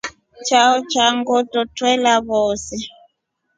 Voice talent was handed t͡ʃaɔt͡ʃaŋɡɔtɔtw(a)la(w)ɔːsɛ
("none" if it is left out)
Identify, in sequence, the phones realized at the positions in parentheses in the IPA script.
ɛ, β

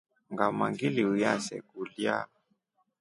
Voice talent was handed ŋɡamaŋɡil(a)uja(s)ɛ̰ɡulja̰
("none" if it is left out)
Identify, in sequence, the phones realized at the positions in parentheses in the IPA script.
i, s

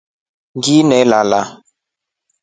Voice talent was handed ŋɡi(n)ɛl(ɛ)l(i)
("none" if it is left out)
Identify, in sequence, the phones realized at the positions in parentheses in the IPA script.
n, a, a

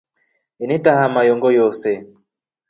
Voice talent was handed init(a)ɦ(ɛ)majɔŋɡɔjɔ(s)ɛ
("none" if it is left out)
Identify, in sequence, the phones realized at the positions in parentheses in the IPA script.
a, a, s

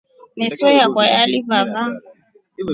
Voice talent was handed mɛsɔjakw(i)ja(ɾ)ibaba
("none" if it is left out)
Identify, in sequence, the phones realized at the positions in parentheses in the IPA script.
a, l

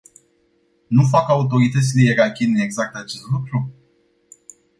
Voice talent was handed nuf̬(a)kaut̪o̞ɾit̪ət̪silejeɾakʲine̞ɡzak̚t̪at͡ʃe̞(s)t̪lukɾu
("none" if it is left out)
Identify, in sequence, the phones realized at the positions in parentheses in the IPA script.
a, s

